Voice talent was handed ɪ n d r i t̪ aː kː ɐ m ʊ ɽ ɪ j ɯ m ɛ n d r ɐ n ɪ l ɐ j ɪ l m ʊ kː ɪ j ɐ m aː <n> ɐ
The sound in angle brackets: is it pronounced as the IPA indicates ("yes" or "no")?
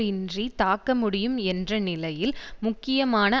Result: yes